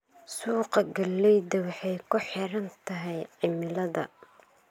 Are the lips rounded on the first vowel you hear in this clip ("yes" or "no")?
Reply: yes